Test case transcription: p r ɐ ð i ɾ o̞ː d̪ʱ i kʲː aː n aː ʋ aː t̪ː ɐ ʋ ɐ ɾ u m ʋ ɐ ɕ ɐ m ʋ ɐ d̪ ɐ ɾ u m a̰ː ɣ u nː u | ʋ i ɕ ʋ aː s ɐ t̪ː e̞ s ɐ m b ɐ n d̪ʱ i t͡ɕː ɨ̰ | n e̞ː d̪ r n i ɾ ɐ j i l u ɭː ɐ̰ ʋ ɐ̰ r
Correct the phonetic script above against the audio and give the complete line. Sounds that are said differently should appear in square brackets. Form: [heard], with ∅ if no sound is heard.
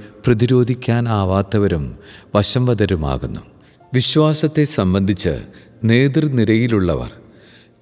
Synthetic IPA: p r ɐ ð i ɾ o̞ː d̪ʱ i kʲː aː n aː ʋ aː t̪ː ɐ ʋ ɐ ɾ u m ʋ ɐ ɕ ɐ m ʋ ɐ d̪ ɐ ɾ u m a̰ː ɣ u nː u | ʋ i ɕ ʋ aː s ɐ t̪ː e̞ s ɐ m b ɐ n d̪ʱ i t͡ɕː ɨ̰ | n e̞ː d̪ r n i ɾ ɐ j i l u ɭː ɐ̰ ʋ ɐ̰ r